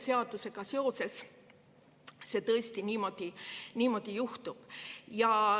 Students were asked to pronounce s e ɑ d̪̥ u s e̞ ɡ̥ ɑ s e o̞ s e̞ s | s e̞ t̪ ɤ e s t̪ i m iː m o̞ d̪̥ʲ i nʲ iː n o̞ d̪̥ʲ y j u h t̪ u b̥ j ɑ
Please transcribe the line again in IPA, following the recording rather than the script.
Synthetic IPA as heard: s e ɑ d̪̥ u s e̞ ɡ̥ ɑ s e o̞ s e̞ s | s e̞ t̪ ɤ e s t̪ i n iː m o̞ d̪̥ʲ i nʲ iː m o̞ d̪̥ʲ i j u h t̪ u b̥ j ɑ